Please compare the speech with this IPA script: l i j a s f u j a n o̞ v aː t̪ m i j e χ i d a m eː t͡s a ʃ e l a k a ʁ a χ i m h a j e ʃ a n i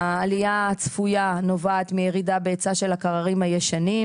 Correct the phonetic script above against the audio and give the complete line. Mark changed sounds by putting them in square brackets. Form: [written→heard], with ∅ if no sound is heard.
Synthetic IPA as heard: l i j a [s→t͡s] f u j a n o̞ v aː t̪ m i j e [χ→ʁ] i d a [m→b] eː t͡s a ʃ e l a k a ʁ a [χ→ʁ] i m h a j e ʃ a n i